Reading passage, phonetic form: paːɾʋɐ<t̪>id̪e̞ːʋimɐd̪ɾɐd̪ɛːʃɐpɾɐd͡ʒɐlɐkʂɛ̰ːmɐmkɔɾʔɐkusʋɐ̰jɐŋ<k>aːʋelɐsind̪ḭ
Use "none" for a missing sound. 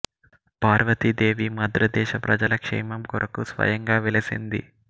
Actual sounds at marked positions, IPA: t̪, ɡ

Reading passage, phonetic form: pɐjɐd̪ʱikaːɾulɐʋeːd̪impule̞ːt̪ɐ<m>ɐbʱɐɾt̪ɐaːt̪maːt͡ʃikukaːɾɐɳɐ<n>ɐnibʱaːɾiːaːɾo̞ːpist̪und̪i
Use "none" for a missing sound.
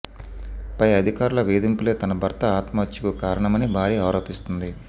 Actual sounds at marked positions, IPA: n, m

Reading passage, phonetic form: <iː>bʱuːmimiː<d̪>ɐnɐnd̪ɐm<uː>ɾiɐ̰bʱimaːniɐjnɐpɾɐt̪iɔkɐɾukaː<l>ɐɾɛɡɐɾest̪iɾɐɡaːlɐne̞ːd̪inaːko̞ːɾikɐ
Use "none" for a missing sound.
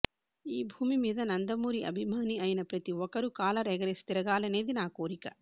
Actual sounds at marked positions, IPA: iː, d̪, uː, l

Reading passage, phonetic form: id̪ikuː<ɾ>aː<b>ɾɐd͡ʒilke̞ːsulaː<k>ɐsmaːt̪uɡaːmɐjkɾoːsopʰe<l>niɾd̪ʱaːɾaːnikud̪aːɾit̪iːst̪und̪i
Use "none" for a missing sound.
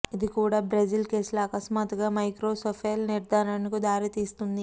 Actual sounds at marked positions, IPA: ɽ, b, k, l

